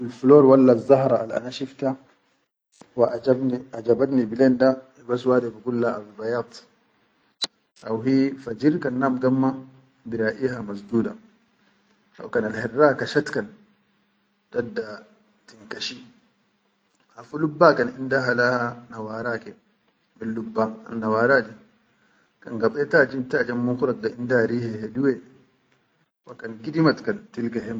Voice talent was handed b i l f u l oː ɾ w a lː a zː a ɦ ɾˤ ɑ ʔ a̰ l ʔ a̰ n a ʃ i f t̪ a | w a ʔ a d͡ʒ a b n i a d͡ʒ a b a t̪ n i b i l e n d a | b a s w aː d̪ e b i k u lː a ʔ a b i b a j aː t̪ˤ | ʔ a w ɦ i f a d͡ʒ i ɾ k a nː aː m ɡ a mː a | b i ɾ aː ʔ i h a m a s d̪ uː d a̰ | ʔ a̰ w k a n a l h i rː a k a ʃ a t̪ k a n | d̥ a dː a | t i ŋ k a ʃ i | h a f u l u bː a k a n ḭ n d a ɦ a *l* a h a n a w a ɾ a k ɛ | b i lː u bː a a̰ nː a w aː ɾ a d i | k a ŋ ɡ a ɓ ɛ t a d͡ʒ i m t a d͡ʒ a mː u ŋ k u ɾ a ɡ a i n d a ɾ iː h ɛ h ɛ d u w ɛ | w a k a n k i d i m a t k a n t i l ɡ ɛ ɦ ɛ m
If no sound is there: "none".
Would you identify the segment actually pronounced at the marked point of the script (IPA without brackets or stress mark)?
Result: l